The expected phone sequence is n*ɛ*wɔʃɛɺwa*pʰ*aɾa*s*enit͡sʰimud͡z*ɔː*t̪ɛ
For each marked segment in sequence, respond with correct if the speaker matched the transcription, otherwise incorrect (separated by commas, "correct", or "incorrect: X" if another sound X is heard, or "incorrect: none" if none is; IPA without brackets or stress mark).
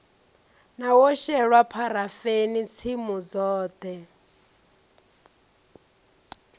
incorrect: a, correct, incorrect: f, correct